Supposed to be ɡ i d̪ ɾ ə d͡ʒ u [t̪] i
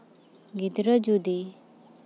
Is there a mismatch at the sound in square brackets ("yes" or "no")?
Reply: yes